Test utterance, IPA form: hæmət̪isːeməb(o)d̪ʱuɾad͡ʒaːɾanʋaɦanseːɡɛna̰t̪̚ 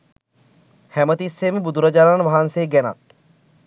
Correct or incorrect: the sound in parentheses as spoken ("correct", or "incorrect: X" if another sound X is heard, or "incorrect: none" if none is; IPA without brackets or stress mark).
incorrect: u